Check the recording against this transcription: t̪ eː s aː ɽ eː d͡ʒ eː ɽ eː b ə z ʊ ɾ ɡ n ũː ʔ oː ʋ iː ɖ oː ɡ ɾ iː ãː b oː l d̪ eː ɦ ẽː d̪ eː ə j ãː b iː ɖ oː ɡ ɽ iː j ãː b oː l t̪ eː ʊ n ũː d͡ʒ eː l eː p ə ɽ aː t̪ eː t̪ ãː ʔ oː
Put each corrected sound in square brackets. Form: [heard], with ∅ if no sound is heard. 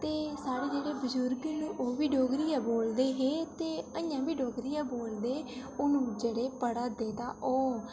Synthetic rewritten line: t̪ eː s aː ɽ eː d͡ʒ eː ɽ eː b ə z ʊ ɾ ɡ n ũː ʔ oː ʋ iː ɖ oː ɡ ɾ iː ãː b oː l d̪ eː ɦ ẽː [t̪] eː ə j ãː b iː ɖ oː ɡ [ɾ] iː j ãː b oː l [d̪] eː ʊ n ũː d͡ʒ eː [ɽ] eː p ə ɽ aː [d̪] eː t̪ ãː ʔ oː